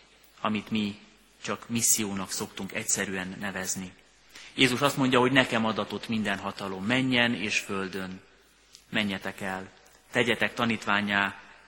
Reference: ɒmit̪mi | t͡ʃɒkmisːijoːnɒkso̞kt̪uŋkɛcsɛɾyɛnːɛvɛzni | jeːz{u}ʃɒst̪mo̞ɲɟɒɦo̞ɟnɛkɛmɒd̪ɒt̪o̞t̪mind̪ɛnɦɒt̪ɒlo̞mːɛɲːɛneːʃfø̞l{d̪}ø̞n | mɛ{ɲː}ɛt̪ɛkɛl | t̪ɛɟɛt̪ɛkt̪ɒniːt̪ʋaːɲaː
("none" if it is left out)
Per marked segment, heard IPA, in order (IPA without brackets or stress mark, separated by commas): u, d̪, ɲː